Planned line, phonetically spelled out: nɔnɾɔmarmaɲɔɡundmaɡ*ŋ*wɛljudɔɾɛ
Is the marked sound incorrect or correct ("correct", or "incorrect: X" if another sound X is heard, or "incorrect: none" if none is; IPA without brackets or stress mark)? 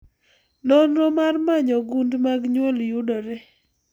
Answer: incorrect: ɲ